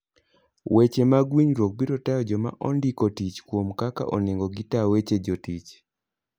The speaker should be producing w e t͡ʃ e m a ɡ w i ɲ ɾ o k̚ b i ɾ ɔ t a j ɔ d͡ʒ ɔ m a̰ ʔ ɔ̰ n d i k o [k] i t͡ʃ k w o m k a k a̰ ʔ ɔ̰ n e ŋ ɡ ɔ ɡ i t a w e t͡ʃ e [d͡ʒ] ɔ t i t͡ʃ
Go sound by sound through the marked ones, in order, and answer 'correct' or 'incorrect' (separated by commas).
incorrect, correct